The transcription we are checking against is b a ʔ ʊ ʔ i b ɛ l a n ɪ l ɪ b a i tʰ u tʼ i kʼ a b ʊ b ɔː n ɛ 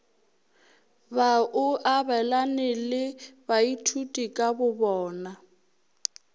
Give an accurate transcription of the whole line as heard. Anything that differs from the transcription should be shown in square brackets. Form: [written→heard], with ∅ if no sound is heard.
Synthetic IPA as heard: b a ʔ ʊ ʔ [i→a] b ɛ l a n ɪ l ɪ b a i tʰ u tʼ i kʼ a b ʊ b ɔː n [ɛ→a]